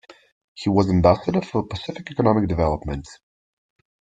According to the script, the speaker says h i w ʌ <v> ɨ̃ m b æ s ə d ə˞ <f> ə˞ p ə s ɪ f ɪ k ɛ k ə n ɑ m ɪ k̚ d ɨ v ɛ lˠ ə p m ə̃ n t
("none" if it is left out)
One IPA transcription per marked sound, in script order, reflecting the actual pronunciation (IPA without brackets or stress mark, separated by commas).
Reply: z, f